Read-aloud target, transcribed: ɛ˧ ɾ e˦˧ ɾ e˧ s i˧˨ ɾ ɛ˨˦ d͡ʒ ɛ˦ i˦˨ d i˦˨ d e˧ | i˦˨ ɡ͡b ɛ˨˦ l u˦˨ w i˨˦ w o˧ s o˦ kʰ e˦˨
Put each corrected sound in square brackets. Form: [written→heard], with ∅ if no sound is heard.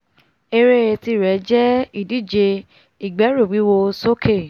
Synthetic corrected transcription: [ɛ˧→e˧] ɾ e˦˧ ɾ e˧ [s→t] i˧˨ ɾ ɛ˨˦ d͡ʒ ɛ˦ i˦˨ d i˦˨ [d→d͡ʒ] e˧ | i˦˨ ɡ͡b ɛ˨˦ [l→ɾ] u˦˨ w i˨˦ w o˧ s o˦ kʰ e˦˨